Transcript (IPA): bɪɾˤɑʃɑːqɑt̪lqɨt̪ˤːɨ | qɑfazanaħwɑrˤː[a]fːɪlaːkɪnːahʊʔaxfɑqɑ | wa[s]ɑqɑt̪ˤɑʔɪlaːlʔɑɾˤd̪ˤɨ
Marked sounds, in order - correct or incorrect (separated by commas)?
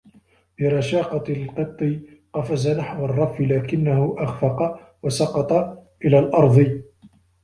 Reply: incorrect, correct